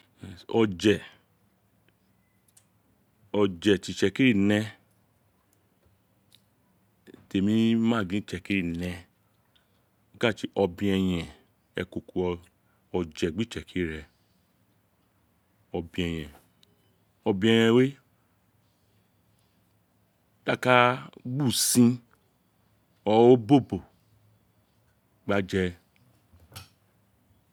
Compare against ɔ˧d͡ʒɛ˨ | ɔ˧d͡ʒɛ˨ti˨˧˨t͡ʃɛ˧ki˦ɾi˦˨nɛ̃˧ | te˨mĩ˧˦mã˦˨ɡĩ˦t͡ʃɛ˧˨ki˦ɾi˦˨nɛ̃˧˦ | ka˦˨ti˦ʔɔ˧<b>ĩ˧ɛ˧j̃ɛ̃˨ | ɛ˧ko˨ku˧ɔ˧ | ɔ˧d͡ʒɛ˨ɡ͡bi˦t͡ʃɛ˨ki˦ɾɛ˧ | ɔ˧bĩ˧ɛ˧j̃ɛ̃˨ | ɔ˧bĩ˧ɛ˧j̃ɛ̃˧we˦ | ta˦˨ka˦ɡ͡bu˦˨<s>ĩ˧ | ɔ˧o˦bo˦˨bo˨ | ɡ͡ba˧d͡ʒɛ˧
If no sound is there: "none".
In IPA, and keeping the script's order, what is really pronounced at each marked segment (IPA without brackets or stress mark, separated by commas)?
b, s